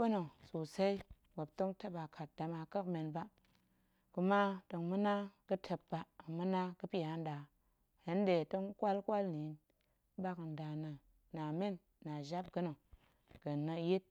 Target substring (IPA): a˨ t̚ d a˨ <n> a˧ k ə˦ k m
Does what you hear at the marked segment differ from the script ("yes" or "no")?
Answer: yes